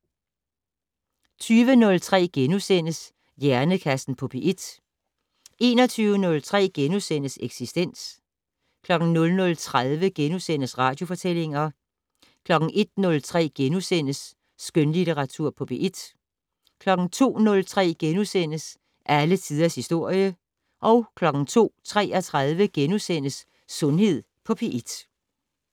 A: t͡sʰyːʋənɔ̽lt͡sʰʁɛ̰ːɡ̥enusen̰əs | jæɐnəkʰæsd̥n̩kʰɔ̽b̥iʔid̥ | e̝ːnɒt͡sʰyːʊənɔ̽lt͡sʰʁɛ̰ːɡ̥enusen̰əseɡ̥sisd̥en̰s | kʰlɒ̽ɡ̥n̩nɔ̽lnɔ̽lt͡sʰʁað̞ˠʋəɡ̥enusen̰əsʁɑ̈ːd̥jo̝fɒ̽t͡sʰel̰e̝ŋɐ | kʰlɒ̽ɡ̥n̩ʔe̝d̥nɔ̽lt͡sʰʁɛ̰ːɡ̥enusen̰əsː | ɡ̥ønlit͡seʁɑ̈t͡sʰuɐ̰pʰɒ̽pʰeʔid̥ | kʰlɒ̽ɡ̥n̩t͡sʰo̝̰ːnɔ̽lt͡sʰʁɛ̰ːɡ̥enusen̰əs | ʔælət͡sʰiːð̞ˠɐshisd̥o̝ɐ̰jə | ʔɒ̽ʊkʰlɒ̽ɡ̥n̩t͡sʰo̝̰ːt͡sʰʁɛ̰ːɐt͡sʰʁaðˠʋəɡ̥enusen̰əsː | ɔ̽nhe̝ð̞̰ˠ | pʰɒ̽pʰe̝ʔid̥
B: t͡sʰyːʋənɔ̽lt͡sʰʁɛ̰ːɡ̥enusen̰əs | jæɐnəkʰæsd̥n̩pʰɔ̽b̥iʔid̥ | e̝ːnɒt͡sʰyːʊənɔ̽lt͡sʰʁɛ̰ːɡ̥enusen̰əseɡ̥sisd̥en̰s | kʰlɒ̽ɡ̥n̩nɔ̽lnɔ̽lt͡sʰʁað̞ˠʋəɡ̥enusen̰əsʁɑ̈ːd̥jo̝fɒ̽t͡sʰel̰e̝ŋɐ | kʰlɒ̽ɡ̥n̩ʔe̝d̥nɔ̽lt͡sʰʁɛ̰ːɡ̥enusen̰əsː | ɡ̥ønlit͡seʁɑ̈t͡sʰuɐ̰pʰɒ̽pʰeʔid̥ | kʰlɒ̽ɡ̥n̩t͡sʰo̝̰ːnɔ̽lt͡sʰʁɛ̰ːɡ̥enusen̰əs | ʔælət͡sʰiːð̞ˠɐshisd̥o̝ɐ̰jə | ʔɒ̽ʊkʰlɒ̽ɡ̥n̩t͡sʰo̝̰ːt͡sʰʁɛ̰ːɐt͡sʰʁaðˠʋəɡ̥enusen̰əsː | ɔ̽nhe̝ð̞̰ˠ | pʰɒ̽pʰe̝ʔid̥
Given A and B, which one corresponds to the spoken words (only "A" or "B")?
B